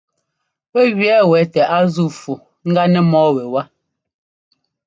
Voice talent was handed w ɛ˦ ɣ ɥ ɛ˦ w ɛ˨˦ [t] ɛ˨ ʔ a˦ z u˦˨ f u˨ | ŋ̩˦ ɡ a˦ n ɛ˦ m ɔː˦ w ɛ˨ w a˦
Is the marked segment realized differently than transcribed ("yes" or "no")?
no